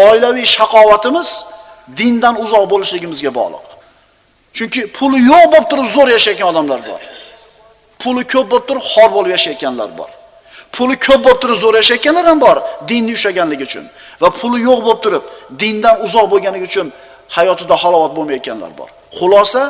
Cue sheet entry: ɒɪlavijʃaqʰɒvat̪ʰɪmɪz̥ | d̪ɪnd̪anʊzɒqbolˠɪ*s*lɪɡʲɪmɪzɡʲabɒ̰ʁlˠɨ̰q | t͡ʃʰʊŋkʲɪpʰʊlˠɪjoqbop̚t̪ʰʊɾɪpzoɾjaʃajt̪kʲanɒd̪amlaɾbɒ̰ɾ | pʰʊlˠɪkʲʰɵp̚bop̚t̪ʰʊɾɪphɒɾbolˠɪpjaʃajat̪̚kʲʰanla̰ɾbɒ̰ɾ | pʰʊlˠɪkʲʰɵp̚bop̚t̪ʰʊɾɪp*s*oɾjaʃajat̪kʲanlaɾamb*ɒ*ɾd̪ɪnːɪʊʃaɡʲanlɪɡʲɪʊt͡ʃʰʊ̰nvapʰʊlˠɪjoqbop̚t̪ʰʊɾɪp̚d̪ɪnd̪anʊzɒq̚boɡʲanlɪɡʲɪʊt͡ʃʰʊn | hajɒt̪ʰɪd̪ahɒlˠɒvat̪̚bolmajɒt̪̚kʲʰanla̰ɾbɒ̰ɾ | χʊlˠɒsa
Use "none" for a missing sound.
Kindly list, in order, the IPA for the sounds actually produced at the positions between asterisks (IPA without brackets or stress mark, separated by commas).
ʃ, z, ɒ